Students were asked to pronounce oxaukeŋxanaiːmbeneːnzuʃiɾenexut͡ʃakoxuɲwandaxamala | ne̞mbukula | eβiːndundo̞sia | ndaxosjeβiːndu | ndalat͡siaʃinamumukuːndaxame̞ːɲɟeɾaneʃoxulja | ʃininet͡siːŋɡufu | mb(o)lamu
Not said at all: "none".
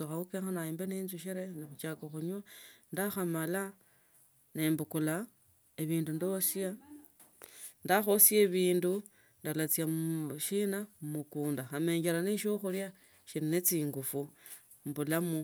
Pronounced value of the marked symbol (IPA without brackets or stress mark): u